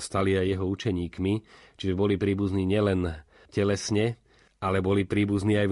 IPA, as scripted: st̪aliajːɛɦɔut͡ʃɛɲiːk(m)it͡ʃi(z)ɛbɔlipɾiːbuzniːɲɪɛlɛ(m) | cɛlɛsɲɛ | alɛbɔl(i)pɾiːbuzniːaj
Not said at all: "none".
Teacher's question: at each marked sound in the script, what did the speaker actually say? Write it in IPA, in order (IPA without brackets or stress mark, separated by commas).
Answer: m, ʒ, n, i